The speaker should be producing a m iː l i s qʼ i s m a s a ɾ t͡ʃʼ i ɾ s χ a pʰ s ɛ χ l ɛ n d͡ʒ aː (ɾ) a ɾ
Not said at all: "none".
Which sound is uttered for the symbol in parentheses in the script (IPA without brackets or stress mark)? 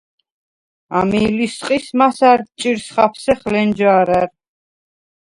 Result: ɾ